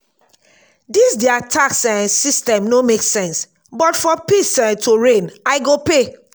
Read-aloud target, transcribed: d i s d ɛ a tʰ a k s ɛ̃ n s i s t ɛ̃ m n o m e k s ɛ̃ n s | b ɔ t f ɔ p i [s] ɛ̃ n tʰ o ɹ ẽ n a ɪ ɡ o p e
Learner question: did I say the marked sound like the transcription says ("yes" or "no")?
yes